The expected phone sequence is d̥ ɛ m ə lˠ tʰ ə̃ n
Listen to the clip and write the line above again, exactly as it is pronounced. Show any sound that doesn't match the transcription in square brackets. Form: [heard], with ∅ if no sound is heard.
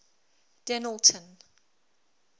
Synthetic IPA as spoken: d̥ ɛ [n] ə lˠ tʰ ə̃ n

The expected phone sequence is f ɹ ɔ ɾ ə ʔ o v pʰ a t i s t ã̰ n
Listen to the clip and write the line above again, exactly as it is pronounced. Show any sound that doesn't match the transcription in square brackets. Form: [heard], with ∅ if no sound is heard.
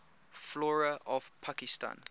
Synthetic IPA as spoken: f [l] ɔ [ɹ] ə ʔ [ɔ] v pʰ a [k] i s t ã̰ n

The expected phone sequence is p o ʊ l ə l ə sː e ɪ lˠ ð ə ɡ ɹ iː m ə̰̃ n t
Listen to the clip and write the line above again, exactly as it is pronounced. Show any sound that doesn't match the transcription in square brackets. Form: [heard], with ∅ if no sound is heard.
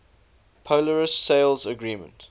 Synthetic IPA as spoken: [pʰ] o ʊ l ə [ɹ] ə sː e ɪ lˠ [z] ə ɡ ɹ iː m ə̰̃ n t

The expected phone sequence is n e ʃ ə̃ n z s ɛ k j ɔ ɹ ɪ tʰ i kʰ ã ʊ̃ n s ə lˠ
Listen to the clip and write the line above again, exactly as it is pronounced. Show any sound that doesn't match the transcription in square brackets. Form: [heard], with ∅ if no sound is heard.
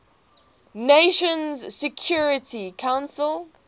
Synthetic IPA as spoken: n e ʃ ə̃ n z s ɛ [kʰ] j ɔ ɹ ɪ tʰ i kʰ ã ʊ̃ n s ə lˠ

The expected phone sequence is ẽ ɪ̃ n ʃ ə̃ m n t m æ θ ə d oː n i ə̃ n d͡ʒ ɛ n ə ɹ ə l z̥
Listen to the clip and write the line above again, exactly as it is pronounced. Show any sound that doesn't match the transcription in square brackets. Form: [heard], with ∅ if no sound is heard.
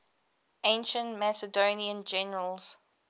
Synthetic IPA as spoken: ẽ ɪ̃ n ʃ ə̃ [∅] n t m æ [s] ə d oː n i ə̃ n d͡ʒ ɛ n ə ɹ ə l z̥

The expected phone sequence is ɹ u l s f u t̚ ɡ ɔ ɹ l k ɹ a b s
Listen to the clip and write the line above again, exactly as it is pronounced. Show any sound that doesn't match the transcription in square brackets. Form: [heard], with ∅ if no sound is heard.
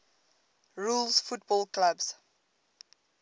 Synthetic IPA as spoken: ɹ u l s f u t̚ [b] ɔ [∅] l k [l] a b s

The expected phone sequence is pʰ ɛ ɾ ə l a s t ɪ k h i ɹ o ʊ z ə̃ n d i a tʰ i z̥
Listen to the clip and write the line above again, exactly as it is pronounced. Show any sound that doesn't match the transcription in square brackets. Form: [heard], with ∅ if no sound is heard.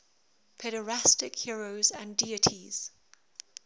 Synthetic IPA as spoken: pʰ ɛ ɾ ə [ɹ] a s t ɪ k h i ɹ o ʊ z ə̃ n d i [ə] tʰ i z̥

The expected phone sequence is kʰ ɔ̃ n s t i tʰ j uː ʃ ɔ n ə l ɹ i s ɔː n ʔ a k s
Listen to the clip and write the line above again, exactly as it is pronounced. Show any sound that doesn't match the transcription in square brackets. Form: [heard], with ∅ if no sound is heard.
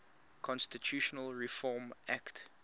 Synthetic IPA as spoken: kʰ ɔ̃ n s t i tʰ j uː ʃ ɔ n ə l ɹ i [f] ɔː [m] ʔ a k [t]

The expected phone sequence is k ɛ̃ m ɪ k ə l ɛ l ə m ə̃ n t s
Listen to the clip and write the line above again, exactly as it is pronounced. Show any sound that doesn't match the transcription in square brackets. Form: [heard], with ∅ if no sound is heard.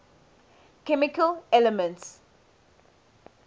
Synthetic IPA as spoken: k [ɛ] m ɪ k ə l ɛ l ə m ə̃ n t s

